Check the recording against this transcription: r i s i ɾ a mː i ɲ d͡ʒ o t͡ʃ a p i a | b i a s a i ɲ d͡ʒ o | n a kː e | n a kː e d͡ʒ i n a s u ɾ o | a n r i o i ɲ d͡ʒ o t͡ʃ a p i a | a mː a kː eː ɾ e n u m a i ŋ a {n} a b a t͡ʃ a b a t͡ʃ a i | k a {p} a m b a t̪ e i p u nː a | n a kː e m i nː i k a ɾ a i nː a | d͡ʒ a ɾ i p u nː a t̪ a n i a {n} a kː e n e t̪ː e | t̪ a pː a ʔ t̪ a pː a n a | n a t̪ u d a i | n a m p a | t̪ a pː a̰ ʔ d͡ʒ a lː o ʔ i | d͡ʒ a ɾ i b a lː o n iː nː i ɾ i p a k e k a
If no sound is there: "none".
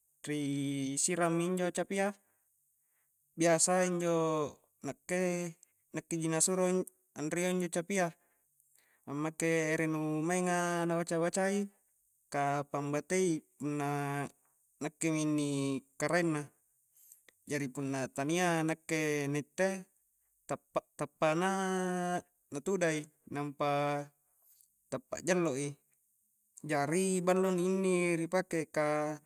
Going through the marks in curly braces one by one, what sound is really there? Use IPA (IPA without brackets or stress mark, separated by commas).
n, p, n